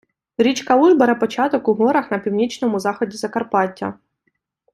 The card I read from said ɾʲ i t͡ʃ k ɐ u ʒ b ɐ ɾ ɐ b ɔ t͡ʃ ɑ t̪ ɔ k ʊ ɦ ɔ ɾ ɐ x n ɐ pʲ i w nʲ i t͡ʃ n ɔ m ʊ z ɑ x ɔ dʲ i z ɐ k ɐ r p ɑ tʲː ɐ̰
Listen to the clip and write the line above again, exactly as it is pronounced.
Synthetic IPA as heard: ɾʲ i t͡ʃ k ɐ u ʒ b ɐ ɾ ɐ p ɔ t͡ʃ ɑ t̪ ɔ k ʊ ɦ ɔ ɾ ɐ x n ɐ pʲ i w nʲ i t͡ʃ n ɔ m ʊ z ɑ x ɔ dʲ i z ɐ k ɐ r p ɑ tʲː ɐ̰